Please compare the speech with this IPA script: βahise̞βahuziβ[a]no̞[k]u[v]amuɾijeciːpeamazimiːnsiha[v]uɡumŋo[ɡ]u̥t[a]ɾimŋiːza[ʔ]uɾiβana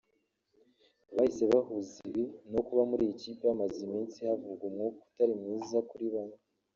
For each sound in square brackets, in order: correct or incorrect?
incorrect, correct, incorrect, correct, incorrect, correct, incorrect

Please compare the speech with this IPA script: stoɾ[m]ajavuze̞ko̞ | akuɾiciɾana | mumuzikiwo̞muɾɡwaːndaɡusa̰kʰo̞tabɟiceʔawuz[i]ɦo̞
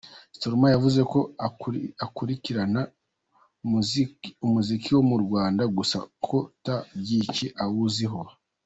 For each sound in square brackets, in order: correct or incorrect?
correct, correct

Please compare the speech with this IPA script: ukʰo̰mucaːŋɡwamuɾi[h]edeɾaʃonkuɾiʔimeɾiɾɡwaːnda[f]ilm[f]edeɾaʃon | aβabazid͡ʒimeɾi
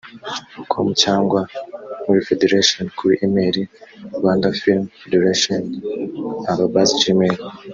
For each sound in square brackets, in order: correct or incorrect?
incorrect, correct, correct

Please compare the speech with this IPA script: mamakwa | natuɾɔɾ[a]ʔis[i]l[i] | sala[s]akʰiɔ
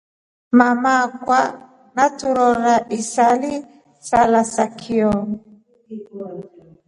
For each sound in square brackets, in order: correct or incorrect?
correct, incorrect, correct, correct

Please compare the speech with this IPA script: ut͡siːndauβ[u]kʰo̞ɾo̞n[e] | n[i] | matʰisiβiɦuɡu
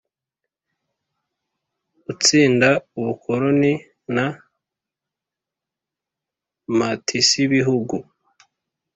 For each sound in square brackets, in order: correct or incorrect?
correct, incorrect, incorrect

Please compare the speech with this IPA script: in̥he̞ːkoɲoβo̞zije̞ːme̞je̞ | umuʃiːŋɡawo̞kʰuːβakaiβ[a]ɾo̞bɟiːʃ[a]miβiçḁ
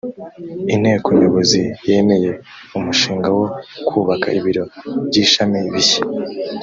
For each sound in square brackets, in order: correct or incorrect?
incorrect, correct

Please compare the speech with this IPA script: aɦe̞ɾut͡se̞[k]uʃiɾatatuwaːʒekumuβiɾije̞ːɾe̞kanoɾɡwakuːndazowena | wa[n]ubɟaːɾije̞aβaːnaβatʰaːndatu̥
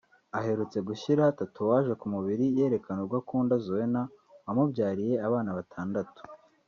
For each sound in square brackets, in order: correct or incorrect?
incorrect, incorrect

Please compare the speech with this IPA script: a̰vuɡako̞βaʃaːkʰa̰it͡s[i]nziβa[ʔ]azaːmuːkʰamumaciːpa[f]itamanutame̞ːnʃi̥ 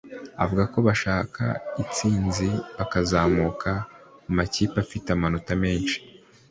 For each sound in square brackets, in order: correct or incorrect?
incorrect, incorrect, correct

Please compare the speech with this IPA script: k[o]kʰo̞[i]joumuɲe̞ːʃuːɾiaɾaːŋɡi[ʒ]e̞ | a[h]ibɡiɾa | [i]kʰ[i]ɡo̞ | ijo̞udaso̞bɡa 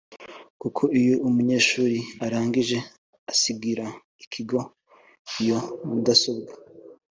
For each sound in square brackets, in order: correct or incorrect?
incorrect, correct, correct, incorrect, correct, correct

